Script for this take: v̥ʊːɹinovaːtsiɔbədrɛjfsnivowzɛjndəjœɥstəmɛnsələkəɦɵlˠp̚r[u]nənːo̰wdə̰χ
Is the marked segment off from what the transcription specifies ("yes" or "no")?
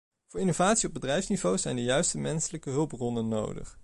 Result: yes